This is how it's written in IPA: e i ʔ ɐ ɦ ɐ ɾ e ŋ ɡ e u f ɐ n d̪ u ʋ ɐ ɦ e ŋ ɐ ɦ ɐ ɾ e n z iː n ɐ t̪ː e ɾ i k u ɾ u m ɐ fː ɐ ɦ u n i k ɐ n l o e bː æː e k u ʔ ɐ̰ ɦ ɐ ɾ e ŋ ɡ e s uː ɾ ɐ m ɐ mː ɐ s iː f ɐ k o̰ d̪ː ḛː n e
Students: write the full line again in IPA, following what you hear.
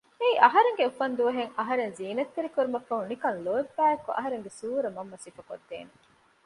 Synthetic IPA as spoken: e i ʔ ɐ ɦ ɐ ɾ e ŋ ɡ e u f ɐ n d̪ u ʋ ɐ ɦ e ŋ ɐ ɦ ɐ ɾ e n z iː n ɐ t̪ː e ɾ i k u ɾ u m ɐ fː ɐ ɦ u n i k ɐ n l o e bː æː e k u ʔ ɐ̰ ɦ ɐ ɾ e ŋ ɡ e s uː ɾ ɐ m ɐ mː ɐ s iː f ɐ k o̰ d̪ː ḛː n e